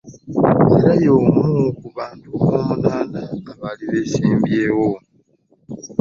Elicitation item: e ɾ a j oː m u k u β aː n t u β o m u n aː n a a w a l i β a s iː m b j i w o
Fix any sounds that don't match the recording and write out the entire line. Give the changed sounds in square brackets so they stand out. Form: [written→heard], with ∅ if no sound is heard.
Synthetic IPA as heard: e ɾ a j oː m u k u β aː n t u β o m u n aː n a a [w→β] a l i β [a→e] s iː m b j [i→e] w o